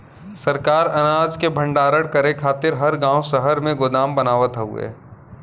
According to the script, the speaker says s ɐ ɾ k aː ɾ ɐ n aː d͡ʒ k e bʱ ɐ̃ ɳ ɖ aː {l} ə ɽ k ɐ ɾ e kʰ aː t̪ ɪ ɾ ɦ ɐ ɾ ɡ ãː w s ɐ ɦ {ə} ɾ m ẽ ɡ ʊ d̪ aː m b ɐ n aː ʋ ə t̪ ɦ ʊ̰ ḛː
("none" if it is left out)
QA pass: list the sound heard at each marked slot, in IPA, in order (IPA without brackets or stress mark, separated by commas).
ɾ, ə